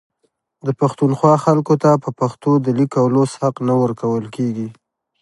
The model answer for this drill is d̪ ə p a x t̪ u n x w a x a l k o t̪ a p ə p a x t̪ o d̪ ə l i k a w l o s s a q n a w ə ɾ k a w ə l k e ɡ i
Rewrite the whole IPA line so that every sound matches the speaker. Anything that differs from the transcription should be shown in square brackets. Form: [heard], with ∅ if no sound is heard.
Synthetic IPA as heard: d̪ ə p a x t̪ u n x w [ɑ] x a l k o t̪ a p ə p a x t̪ o d̪ ə l i k a w l o s [h] a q n a w ə ɾ k a w ə l k e ɡ i